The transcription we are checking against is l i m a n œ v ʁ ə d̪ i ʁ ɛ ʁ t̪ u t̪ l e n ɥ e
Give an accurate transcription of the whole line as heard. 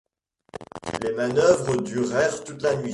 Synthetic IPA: l e m a n œ v ʁ ə d̪ y ʁ ɛ ʁ t̪ u t̪ l a n ɥ i

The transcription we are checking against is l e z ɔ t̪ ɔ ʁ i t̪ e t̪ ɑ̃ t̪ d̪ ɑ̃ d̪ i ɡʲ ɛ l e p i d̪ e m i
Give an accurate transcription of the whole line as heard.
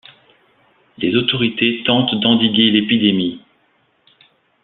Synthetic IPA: l e z o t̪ ɔ ʁ i t̪ e t̪ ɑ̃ t̪ d̪ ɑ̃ d̪ i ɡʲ e l e p i d̪ e m i

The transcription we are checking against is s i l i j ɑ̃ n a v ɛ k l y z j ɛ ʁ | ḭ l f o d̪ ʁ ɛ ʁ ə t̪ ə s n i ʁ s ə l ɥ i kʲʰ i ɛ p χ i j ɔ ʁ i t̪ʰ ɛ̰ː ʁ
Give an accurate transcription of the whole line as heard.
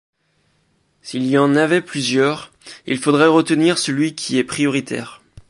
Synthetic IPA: s i l i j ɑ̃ n a v ɛ p l y z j œ ʁ | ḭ l f o d̪ ʁ ɛ ʁ ə t̪ ə n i ʁ s ə l ɥ i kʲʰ i ɛ p χ i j ɔ ʁ i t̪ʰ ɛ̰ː ʁ

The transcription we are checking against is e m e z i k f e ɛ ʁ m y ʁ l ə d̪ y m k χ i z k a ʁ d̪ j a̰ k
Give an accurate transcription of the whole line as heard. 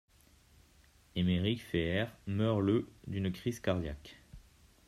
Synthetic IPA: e m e ʁ i k f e ɛ ʁ m œ ʁ l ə d̪ y n k χ i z k a ʁ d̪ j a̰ k

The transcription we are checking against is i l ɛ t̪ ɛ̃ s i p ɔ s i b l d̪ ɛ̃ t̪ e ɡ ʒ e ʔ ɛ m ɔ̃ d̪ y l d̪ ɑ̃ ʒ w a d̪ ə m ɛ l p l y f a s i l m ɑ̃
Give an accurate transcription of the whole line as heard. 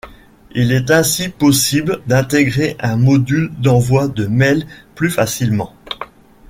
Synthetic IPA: i l ɛ t̪ ɛ̃ s i p ɔ s i b l d̪ ɛ̃ t̪ e ɡ ʁ e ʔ ɛ̃ m ɔ d̪ y l d̪ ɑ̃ v w a d̪ ə m ɛ l p l y f a s i l m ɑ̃

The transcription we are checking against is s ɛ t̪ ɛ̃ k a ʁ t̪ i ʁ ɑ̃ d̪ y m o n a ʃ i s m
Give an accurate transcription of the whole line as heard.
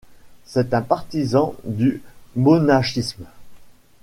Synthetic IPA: s ɛ t̪ ɛ̃ p a ʁ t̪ i z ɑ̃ d̪ y m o n a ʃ i s m

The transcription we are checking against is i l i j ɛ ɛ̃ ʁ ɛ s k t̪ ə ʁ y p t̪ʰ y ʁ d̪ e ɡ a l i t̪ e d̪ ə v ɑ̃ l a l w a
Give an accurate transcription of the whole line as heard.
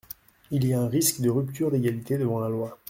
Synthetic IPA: i l i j a ɛ̃ ʁ i s k d̪ ə ʁ y p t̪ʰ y ʁ d̪ e ɡ a l i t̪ e d̪ ə v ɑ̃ l a l w a

